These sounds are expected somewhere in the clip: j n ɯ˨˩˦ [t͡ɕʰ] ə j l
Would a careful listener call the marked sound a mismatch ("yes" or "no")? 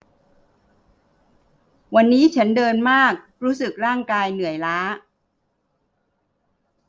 yes